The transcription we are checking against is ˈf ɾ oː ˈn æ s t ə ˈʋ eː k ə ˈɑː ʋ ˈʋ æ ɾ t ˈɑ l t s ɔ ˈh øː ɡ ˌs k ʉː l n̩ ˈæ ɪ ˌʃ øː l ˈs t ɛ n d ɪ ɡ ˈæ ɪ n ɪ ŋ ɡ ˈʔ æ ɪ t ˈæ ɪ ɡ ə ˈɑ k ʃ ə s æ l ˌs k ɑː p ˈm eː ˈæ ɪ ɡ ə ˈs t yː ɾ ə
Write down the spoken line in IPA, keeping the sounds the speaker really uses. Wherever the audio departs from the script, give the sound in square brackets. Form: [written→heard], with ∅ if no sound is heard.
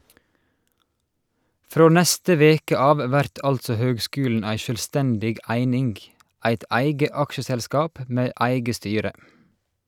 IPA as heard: ˈf ɾ oː ˈn æ s t ə ˈʋ eː k ə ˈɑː ʋ ˈʋ æ ɾ t ˈɑ l t s ɔ ˈh øː ɡ ˌs k ʉː l n̩ ˈæ ɪ ˌʃ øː l ˈs t ɛ n d ɪ ɡ ˈæ ɪ n ɪ ŋ ɡ ˈʔ æ ɪ t ˈæ ɪ ɡ ə ˈɑ k ʃ ə s [æ→ɛ] l ˌs k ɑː p ˈm eː ˈæ ɪ ɡ ə ˈs t yː ɾ ə